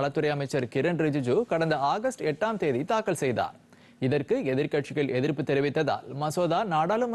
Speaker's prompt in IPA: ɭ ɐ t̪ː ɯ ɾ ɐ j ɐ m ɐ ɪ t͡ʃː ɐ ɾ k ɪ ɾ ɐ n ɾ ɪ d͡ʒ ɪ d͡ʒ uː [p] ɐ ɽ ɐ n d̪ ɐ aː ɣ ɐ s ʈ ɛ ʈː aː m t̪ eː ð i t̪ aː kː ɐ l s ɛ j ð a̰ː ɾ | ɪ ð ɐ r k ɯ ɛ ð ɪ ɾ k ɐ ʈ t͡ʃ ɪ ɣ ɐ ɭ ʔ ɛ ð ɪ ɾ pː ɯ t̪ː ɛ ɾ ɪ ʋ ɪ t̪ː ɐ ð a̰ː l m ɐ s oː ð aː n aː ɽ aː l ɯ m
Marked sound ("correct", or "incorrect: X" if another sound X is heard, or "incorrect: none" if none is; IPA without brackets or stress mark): incorrect: k